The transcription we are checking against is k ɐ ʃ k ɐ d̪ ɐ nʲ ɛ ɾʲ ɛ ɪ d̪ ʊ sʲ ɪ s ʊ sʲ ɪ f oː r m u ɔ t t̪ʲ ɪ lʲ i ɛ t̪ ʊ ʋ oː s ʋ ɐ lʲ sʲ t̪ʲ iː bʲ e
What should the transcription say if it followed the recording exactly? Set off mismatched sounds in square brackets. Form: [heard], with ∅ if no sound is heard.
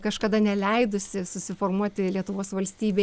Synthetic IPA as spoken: k ɐ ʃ k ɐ d̪ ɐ nʲ ɛ [lʲ] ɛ ɪ d̪ ʊ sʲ ɪ s ʊ sʲ ɪ f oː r m u ɔ t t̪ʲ ɪ lʲ i ɛ t̪ ʊ ʋ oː s ʋ ɐ lʲ sʲ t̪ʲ iː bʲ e